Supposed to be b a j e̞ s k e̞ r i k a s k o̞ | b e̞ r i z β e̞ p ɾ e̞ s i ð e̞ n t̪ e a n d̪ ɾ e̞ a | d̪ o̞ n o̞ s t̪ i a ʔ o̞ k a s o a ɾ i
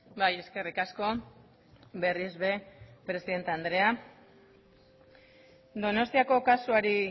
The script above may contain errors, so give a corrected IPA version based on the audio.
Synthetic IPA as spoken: b a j e̞ s k e̞ r i k a s k o̞ | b e̞ r i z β e̞ p ɾ e̞ s i ð e̞ n t̪ e a n d̪ ɾ e̞ a | d̪ o̞ n o̞ s t̪ i a k o̞ k a s u a ɾ i